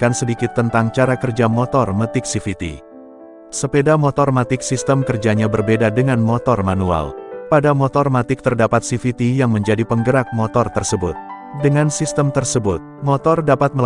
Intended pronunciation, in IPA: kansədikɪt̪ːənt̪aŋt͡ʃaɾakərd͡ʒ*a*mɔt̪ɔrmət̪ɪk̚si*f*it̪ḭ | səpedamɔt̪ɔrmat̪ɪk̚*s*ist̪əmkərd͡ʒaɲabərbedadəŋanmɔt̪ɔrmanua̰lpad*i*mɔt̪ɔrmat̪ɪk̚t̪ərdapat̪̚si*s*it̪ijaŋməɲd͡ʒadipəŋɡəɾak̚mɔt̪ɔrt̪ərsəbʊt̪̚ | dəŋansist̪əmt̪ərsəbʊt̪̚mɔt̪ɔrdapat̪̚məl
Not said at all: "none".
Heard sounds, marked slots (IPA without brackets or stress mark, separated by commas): a, f, s, a, f